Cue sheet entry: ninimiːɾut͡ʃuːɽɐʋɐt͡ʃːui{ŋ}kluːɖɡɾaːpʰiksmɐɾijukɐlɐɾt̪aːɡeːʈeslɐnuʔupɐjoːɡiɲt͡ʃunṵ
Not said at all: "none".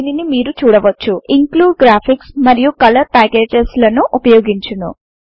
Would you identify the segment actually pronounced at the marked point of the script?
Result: ŋ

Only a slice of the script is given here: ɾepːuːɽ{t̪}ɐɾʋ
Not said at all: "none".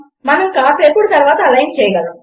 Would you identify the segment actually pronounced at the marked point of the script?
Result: t̪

